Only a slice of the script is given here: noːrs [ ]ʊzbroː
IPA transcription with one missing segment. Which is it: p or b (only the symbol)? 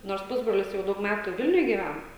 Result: p